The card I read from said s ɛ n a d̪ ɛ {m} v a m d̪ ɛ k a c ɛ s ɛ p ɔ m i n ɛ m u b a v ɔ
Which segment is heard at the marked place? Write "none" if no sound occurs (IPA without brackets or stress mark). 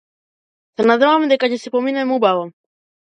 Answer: none